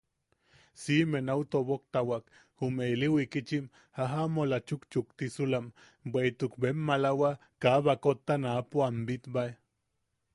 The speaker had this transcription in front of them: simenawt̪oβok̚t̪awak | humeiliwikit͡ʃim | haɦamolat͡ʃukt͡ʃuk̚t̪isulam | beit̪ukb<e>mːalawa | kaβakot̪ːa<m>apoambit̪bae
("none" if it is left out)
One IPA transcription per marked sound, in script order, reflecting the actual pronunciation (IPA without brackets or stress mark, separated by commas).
e, n